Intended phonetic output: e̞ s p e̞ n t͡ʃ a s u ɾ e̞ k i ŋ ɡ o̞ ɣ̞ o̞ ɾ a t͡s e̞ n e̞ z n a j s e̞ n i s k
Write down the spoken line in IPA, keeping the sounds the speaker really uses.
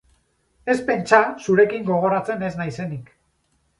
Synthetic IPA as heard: e̞ s p e̞ n t͡ʃ a s u ɾ e̞ k i ŋ ɡ o̞ ɣ̞ o̞ ɾ a t͡s e̞ n e̞ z n a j s e̞ n i k